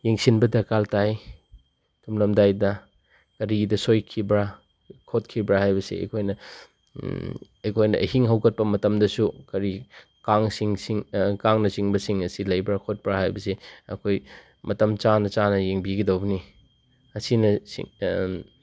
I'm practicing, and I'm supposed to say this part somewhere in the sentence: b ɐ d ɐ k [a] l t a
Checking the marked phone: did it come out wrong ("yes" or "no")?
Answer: no